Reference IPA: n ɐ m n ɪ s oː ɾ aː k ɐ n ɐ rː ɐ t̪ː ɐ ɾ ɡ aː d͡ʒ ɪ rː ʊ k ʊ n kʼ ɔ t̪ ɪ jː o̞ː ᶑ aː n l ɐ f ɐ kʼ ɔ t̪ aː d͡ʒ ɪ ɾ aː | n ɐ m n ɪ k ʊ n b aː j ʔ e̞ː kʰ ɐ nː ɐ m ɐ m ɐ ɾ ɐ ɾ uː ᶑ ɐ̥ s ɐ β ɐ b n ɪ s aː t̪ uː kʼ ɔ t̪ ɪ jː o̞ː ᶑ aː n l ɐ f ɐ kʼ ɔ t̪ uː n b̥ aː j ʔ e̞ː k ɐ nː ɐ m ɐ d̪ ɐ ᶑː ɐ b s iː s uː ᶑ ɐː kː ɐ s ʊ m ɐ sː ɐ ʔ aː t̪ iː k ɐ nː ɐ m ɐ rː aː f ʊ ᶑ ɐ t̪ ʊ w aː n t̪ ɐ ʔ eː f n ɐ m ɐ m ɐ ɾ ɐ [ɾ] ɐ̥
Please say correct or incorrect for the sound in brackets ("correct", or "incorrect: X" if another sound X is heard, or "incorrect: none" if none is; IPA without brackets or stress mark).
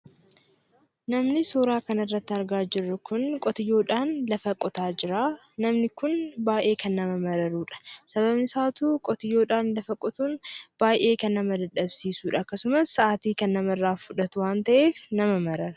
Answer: correct